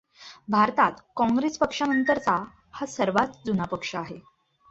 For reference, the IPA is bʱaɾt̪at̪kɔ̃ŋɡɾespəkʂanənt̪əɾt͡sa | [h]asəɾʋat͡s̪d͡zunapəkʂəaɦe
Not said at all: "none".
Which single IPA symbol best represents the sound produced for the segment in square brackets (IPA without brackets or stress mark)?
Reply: h